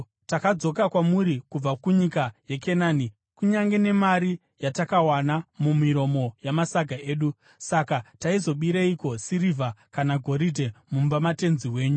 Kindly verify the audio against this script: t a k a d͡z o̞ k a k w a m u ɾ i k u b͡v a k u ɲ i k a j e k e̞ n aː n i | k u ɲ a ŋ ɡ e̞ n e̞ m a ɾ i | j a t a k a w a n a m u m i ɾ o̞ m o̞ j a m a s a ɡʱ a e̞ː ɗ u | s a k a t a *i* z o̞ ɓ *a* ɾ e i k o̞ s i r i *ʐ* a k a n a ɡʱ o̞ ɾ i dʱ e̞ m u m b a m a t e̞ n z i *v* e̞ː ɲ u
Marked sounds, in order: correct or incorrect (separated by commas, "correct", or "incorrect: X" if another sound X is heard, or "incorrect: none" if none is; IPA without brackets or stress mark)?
correct, incorrect: i, incorrect: v, incorrect: w